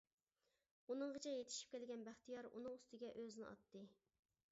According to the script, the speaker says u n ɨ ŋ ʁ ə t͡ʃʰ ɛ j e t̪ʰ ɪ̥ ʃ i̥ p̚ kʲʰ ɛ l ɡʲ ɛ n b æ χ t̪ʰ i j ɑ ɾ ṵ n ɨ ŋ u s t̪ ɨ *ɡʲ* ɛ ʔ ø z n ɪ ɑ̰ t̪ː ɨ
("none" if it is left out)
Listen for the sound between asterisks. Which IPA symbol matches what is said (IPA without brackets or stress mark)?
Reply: ɡʲ